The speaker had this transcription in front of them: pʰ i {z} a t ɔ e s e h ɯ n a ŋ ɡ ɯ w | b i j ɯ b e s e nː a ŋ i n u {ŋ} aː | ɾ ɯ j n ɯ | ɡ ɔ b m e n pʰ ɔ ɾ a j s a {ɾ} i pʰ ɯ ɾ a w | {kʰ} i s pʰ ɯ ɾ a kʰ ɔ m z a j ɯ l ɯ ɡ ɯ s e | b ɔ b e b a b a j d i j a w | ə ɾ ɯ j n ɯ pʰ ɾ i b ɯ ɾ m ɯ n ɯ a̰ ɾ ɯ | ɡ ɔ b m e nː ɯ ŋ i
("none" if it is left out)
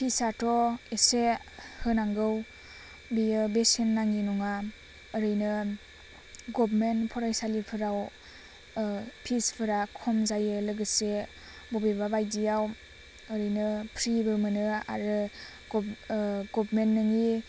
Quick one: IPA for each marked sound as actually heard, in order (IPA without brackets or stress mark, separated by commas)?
s, ŋ, l, pʰ